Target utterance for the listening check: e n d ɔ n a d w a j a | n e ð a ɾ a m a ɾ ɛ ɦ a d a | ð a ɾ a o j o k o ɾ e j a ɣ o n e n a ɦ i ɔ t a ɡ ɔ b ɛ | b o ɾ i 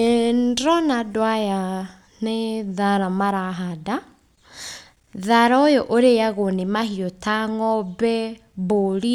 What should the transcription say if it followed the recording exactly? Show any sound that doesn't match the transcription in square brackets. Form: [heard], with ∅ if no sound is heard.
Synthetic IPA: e n d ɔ n a d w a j a | n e ð a ɾ a m a ɾ [a] ɦ a d a | ð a ɾ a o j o [ʔ] o ɾ e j a ɣ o n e [m] a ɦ i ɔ t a [ŋ] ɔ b ɛ | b o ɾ i